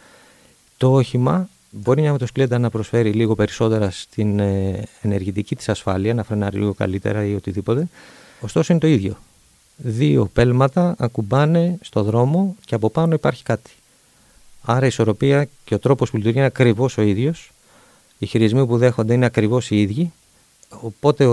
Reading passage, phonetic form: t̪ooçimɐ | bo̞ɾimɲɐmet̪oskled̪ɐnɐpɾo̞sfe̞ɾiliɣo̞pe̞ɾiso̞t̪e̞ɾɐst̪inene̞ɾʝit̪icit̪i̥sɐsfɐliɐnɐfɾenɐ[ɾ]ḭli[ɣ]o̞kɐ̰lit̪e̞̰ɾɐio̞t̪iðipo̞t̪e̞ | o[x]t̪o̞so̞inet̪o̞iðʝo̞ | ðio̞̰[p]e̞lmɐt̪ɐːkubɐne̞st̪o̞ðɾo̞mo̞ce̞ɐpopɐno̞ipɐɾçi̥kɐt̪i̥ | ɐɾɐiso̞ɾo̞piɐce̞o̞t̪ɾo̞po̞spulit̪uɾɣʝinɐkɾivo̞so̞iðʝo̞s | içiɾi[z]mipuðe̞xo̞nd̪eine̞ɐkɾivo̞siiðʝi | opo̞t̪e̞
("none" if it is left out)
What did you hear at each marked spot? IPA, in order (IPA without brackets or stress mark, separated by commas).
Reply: ɾ, ɣ, s, p, z